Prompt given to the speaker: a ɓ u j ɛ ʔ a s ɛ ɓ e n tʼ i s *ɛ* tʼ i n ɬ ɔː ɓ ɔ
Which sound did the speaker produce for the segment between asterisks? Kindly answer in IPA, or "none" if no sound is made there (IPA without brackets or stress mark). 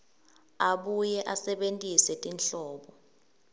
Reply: ɛ